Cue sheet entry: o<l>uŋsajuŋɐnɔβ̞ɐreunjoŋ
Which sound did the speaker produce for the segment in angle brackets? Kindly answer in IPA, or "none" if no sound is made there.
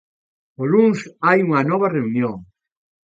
l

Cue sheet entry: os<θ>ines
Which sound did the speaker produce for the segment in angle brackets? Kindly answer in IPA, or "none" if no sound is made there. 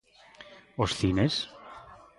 θ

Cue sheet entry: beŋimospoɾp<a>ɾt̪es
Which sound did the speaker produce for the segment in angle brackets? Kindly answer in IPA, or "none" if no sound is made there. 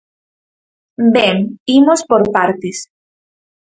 a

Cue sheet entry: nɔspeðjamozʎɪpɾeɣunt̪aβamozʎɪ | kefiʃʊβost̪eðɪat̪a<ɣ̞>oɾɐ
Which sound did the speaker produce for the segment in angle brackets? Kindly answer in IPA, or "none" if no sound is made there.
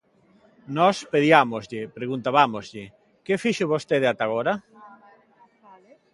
ɣ̞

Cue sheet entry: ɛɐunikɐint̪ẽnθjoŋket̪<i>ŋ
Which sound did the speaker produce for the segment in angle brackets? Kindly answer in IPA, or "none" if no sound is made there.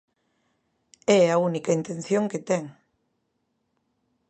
ɛ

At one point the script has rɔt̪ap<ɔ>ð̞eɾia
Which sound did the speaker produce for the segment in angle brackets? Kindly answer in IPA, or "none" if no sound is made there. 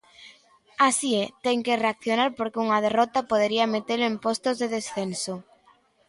o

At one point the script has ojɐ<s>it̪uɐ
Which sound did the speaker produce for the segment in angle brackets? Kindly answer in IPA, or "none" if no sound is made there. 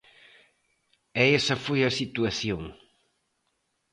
s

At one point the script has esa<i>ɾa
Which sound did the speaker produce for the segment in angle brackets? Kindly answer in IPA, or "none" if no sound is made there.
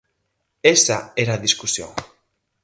e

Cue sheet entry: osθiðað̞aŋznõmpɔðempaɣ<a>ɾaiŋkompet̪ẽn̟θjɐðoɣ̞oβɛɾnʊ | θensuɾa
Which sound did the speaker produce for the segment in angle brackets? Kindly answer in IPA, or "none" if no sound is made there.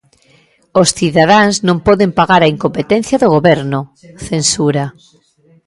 a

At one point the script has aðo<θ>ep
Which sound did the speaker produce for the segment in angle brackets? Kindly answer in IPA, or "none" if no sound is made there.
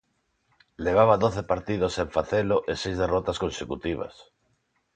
θ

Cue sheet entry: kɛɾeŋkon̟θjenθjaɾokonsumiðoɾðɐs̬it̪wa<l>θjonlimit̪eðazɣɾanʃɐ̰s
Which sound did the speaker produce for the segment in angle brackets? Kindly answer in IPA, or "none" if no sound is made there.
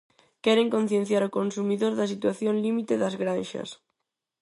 none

